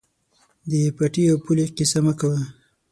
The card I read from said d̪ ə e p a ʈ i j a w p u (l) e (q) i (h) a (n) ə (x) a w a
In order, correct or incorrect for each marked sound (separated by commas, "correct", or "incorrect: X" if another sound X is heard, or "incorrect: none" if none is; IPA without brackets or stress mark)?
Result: correct, correct, incorrect: s, incorrect: m, incorrect: k